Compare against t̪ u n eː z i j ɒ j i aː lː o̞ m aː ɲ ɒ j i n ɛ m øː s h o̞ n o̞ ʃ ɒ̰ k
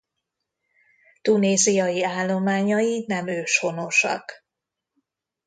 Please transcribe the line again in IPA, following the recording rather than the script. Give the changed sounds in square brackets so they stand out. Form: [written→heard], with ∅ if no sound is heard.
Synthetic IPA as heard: t̪ u n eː z i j ɒ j i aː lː o̞ m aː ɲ ɒ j i n ɛ m øː [s→ʃ] h o̞ n o̞ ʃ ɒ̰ k